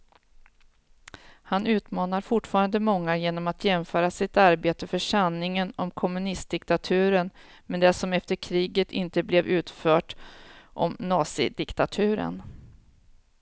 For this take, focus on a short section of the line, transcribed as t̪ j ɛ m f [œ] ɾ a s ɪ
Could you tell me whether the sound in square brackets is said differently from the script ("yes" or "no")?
yes